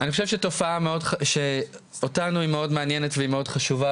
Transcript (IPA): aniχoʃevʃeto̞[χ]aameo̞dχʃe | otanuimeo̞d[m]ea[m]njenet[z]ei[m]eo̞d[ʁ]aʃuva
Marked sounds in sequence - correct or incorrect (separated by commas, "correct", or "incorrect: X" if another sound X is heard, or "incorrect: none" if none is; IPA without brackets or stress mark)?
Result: incorrect: f, correct, incorrect: none, incorrect: v, correct, incorrect: χ